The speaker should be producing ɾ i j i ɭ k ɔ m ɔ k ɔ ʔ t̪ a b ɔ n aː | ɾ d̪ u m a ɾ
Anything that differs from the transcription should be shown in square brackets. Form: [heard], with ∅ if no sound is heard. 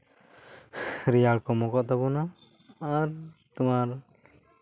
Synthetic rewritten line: ɾ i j [a] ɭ k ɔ m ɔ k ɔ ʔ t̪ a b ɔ n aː | ɾ [t̪] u m a ɾ